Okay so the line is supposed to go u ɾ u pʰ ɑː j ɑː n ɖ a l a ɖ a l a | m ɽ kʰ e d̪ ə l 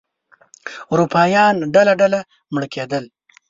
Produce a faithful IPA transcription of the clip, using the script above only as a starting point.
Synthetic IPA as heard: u ɾ u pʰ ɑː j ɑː n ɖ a l a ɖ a l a | m ɽ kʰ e d̪ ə l